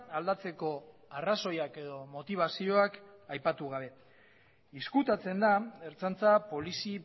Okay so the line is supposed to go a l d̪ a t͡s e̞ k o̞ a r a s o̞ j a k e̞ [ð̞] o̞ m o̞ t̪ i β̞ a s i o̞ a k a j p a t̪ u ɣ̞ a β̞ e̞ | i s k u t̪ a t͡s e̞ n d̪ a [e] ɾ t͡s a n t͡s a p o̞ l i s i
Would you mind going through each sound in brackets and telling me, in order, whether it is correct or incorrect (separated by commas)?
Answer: correct, correct